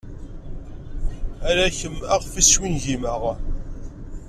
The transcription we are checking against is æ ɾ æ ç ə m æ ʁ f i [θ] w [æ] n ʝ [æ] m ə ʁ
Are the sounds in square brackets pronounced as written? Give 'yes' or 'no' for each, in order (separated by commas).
no, no, no